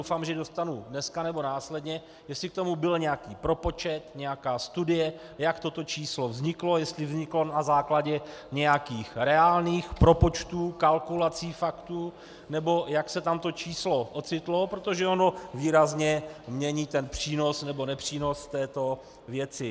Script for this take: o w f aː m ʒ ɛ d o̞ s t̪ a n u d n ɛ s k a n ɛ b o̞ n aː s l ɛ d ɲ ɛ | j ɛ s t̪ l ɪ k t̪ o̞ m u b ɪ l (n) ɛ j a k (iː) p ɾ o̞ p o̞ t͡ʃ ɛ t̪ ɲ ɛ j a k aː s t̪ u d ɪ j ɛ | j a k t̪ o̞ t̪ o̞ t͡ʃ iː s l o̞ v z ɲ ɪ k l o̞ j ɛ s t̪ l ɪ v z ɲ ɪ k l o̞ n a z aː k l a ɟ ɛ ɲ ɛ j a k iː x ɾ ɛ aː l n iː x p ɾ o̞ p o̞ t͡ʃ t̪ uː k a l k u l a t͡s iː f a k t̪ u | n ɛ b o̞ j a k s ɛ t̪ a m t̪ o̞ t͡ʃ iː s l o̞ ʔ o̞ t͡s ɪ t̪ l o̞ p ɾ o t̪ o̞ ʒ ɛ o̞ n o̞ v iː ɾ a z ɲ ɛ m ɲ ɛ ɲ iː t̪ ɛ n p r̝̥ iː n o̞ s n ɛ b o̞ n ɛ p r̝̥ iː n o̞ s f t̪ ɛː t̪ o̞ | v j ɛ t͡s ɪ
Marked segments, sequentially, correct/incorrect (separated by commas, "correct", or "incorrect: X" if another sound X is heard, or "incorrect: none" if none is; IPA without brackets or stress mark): incorrect: ɲ, correct